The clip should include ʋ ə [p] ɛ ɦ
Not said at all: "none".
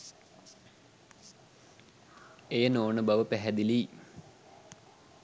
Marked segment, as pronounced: p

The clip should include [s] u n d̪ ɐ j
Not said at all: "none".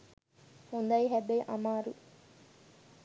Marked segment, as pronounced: h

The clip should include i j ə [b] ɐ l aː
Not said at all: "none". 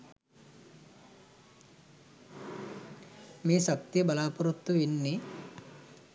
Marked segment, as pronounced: b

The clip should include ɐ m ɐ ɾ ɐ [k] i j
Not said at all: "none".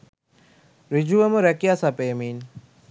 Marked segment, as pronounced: k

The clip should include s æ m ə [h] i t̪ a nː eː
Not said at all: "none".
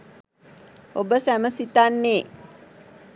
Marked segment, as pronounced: s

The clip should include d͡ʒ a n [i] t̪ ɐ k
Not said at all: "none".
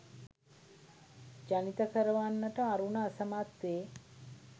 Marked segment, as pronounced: i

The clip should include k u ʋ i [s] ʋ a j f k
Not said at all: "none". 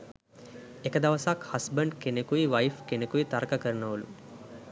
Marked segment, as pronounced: none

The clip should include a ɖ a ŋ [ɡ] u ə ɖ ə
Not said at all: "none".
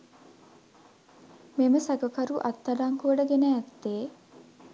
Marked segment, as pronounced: k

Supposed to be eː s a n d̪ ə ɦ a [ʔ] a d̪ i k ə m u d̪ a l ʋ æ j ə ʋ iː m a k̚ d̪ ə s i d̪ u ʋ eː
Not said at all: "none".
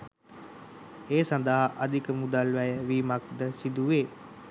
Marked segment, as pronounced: ʔ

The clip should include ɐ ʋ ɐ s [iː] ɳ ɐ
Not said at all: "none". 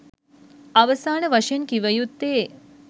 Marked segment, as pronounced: aː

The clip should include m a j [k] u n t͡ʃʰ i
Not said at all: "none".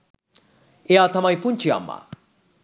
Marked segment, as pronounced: p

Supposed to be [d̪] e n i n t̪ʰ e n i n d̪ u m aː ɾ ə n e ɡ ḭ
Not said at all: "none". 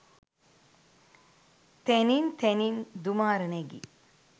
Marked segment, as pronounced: t̪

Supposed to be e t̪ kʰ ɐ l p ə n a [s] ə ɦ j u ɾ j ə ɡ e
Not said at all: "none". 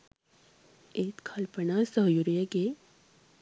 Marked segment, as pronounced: s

